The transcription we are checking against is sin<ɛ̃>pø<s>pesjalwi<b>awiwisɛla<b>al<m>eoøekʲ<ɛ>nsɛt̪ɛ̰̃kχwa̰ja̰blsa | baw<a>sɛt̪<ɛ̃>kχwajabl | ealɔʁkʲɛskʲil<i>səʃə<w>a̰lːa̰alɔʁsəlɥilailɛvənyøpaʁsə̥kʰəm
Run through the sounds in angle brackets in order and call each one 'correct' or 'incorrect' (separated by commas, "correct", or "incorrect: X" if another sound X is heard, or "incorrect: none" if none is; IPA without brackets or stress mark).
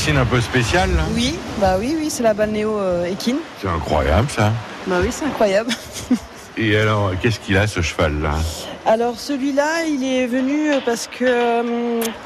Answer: correct, correct, correct, correct, incorrect: n, incorrect: i, incorrect: i, correct, incorrect: a, incorrect: v